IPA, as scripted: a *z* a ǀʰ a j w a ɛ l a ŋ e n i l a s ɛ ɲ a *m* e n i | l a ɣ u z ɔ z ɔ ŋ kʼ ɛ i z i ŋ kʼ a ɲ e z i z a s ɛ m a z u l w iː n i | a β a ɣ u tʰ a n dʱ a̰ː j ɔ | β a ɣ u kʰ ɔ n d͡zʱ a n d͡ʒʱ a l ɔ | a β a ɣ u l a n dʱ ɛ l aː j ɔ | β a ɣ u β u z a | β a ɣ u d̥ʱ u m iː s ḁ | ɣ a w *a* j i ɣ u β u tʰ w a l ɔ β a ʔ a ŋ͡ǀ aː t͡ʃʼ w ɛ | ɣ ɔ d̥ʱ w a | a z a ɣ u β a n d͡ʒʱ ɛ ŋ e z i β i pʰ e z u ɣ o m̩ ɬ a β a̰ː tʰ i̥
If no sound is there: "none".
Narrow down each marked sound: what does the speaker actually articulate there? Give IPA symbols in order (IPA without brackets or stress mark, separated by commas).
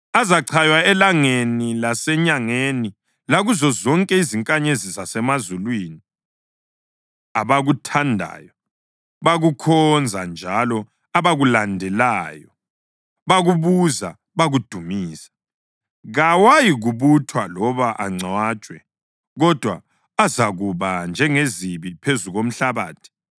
z, ŋ, a